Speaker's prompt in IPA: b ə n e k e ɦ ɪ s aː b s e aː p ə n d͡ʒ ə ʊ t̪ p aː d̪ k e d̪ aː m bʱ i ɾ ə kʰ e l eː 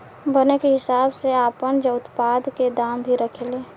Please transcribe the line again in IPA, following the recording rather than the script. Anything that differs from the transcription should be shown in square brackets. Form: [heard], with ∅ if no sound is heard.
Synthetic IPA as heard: b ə n e k e ɦ ɪ s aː b s e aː p ə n d͡ʒ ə ʊ t̪ p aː d̪ k e d̪ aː m bʱ i ɾ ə kʰ e l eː